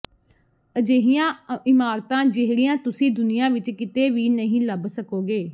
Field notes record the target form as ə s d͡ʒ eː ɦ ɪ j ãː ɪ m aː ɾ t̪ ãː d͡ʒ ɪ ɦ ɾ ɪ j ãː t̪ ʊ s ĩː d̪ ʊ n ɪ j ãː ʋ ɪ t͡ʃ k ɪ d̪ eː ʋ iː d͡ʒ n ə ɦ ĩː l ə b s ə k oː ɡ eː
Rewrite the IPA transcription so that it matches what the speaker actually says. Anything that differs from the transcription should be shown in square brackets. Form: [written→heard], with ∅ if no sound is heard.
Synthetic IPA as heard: ə [s→∅] d͡ʒ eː ɦ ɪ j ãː ɪ m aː ɾ t̪ ãː d͡ʒ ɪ ɦ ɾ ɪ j ãː t̪ ʊ s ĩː d̪ ʊ n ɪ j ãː ʋ ɪ t͡ʃ k ɪ [d̪→t̪] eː ʋ iː [d͡ʒ→∅] n ə ɦ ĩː l ə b s ə k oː ɡ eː